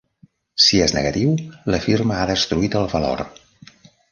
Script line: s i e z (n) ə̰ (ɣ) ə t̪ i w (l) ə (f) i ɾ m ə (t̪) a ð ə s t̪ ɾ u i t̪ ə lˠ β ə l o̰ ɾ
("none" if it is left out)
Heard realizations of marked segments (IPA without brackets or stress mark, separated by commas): n, ɣ, l, f, none